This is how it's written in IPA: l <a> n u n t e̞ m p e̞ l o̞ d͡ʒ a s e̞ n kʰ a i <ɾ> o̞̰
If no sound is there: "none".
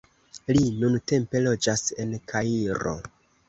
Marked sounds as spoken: i, ɾ

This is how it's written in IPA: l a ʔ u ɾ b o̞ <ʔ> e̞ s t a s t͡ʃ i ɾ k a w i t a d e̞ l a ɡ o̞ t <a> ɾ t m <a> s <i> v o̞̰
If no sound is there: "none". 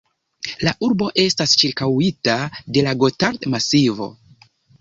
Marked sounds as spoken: ʔ, a, a, i

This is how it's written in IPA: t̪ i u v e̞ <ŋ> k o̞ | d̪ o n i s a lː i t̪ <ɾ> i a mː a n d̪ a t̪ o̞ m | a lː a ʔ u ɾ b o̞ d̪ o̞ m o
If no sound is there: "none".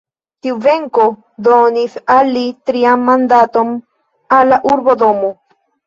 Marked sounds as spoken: ŋ, ɾ

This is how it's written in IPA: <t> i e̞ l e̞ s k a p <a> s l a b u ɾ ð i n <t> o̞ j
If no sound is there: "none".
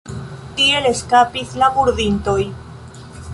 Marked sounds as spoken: t, i, t

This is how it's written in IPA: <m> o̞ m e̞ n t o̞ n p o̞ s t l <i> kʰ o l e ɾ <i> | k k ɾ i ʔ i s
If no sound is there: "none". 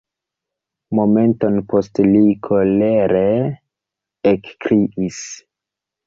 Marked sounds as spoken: m, i, e

